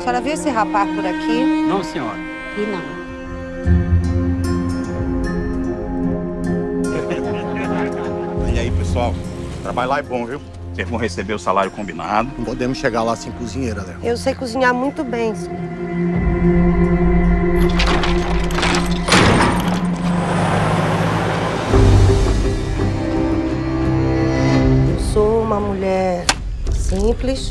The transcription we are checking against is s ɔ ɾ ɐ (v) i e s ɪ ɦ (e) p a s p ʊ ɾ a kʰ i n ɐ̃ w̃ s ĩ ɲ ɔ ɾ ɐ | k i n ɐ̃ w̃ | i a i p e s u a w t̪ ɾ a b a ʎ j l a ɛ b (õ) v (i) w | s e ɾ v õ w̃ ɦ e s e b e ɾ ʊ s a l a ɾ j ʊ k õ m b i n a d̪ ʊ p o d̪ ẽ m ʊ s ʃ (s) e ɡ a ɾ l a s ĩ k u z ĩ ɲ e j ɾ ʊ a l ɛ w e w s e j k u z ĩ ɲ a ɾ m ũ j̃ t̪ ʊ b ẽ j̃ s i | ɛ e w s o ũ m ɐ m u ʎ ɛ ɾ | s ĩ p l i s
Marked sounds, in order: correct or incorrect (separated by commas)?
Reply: correct, incorrect, correct, correct, incorrect